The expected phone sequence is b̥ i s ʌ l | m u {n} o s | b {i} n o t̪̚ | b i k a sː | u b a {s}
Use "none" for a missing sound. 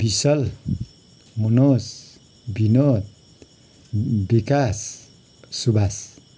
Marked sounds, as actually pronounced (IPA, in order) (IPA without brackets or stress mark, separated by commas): n, i, s